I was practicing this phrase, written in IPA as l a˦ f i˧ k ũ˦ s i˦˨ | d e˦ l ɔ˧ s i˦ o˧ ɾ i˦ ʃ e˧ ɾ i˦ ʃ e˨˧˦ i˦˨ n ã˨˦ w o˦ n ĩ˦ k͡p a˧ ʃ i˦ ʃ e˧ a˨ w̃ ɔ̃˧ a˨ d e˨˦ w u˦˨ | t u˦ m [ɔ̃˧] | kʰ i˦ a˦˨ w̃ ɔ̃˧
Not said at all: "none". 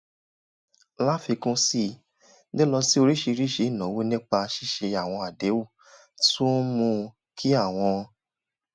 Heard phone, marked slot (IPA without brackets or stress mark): ũ˧